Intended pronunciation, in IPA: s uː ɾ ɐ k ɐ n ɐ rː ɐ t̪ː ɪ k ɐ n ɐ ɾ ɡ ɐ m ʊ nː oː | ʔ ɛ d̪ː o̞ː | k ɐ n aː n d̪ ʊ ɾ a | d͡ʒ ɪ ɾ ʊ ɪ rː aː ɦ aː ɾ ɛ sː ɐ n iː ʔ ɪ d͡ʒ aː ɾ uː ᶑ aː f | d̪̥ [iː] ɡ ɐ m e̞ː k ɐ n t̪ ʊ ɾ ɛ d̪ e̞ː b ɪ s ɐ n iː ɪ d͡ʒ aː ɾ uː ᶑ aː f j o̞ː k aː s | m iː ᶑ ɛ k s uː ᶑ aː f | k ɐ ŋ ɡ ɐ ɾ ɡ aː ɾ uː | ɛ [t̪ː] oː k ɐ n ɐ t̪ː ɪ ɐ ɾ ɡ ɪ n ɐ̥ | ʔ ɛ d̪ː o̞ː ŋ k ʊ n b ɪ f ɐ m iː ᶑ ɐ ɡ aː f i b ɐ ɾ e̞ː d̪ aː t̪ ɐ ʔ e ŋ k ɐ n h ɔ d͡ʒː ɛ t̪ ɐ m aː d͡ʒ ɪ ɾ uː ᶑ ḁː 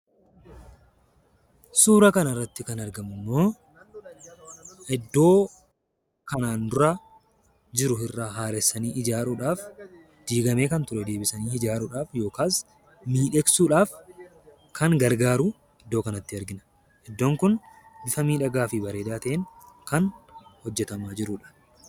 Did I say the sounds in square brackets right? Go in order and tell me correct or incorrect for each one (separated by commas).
correct, incorrect